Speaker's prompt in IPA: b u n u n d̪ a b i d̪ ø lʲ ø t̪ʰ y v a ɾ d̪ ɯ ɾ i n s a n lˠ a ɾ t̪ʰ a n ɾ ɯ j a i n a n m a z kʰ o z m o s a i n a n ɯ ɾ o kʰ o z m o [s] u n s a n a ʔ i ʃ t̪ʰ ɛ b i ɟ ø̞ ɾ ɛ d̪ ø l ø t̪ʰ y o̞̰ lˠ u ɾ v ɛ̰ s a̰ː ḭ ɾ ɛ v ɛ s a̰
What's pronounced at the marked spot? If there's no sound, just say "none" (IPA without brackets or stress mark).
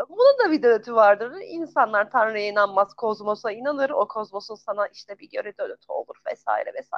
s